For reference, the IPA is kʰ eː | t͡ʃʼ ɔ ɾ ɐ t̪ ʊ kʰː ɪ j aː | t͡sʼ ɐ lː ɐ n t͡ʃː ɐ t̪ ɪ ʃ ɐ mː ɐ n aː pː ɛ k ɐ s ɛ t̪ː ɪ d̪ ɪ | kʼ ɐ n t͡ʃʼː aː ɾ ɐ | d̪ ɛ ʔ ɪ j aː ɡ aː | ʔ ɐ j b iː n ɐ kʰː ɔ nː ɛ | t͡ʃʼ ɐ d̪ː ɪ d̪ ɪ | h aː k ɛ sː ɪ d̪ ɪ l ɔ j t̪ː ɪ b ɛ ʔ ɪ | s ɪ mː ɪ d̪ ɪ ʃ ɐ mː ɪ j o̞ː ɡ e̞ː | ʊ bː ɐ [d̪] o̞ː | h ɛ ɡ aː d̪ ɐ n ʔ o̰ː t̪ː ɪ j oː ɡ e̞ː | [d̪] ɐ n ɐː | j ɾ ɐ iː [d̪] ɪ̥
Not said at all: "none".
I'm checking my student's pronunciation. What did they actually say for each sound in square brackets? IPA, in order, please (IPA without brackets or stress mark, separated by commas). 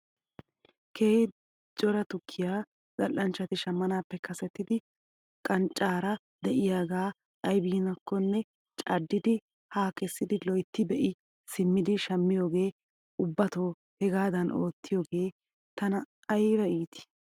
t̪, t̪, t̪